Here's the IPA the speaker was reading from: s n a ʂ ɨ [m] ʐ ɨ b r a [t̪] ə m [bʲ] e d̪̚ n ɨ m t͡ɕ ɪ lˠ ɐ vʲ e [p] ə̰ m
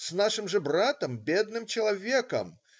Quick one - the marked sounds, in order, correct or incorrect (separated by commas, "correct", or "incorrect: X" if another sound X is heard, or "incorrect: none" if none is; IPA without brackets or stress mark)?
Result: correct, correct, correct, incorrect: k